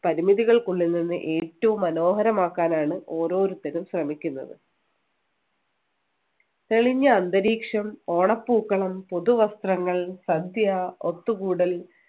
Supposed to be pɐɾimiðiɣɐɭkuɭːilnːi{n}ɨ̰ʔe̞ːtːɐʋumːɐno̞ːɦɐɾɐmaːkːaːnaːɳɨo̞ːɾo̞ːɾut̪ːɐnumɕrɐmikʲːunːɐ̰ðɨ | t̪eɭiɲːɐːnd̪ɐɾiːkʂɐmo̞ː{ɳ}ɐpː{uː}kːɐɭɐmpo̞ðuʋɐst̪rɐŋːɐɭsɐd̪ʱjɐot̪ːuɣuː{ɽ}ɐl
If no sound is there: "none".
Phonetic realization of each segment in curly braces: nː, ɳ, uː, ɽ

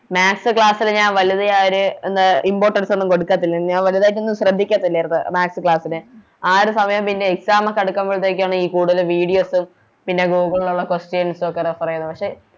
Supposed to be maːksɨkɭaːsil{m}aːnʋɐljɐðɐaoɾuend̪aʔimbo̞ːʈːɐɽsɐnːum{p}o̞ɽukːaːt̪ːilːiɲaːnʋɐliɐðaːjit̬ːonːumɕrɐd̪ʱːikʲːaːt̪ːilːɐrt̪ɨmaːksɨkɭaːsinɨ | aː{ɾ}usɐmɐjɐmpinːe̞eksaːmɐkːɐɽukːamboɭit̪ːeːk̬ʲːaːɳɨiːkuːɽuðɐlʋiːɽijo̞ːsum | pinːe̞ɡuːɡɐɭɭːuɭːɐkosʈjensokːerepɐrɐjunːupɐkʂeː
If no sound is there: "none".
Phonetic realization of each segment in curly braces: ɲ, k, ɾ

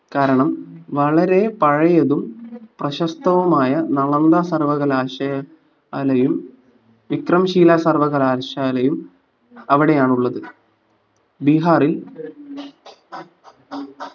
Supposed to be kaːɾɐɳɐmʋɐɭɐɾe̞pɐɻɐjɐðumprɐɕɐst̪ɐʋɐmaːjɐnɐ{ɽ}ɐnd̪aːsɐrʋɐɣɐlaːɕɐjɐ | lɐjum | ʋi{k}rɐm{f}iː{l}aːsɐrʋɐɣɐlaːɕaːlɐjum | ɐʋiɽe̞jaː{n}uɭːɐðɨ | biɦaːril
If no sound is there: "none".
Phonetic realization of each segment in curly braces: ɭ, k, ɕ, l, ɳ

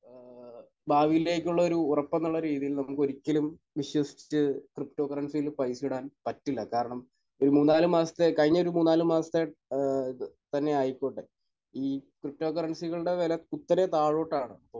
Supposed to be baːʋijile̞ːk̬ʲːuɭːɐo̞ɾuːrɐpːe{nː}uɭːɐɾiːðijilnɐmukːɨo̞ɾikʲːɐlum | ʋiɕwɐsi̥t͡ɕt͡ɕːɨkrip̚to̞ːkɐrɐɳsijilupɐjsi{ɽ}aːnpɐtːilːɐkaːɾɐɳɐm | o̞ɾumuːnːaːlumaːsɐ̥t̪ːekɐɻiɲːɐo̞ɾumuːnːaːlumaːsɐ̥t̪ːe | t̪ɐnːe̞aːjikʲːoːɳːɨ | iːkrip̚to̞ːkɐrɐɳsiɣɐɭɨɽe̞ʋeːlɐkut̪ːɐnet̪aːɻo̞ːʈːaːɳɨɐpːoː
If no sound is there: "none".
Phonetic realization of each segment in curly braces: nː, ɽ

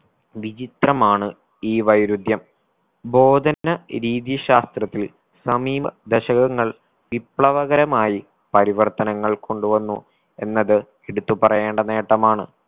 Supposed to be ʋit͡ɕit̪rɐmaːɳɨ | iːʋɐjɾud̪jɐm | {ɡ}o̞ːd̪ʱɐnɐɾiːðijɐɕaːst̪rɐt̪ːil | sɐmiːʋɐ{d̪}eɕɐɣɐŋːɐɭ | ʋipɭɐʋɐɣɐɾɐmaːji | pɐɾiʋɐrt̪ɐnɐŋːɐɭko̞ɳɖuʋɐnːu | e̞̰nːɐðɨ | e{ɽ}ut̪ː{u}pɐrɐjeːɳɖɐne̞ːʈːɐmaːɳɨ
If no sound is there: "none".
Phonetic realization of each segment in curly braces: b, d̪, ɽ, u

